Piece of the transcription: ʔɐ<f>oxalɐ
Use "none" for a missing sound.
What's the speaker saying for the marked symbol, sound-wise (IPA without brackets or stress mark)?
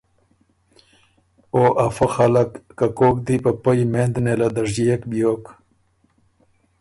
f